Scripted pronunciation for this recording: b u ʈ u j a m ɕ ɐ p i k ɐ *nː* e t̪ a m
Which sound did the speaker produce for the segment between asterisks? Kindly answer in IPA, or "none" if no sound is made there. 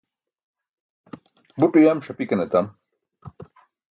n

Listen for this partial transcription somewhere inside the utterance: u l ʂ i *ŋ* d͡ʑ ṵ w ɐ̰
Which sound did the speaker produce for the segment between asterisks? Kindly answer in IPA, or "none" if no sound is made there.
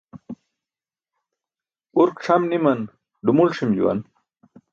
m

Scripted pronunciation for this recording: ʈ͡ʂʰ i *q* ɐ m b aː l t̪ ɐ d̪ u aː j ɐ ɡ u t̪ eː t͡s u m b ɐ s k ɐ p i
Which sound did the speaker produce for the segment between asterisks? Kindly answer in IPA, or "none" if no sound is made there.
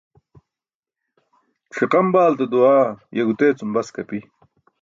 q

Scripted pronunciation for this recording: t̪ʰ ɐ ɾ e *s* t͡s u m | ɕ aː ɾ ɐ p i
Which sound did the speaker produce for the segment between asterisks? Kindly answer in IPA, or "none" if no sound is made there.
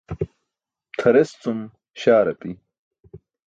s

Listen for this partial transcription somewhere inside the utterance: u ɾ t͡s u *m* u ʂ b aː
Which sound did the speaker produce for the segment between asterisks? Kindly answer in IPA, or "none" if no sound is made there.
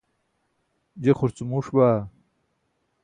m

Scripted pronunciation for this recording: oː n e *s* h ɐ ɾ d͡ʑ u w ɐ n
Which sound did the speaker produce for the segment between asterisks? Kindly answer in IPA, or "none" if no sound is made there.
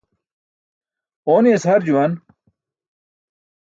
s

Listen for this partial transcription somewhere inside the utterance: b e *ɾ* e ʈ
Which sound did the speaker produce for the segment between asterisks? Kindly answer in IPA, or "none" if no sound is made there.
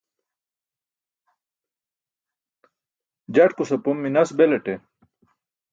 l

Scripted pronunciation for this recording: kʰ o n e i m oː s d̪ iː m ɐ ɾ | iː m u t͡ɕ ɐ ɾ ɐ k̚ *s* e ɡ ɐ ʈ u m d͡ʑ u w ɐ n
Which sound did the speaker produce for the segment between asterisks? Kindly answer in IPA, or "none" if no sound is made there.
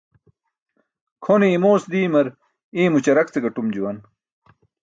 t͡s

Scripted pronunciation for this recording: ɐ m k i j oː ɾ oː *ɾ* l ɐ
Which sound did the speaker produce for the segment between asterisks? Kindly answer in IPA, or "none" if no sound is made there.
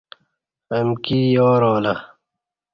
none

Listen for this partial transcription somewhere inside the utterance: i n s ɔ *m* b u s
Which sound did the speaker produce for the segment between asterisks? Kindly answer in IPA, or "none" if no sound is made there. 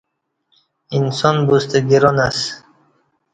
n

